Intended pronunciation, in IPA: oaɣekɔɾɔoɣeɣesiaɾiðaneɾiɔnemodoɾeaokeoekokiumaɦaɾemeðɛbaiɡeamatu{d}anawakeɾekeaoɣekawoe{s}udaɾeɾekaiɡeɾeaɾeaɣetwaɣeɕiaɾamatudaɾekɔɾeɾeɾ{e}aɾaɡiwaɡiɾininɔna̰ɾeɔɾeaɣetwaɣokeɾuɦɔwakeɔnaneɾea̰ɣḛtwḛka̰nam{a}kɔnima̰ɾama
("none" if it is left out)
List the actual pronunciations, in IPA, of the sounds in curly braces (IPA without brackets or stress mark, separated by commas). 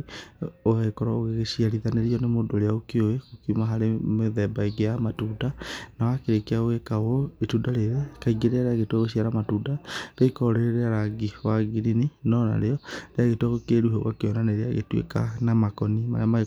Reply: d, t, e, a